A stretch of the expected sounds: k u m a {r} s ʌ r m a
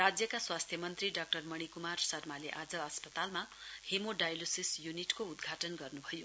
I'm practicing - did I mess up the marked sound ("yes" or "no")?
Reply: no